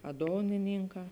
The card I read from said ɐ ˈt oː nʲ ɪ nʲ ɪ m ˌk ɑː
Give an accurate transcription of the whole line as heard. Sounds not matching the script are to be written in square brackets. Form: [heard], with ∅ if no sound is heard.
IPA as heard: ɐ [ˈd] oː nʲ ɪ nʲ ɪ [ŋ] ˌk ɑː